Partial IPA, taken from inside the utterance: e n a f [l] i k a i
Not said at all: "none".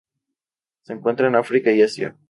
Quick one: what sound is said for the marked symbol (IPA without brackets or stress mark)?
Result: ɾ